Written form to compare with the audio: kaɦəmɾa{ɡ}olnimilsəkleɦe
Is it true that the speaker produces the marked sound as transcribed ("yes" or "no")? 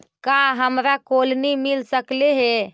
no